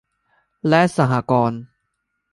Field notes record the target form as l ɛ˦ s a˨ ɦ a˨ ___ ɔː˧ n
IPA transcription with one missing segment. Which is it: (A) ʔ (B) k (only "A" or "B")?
B